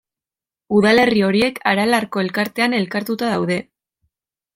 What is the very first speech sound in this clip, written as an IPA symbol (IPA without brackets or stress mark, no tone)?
u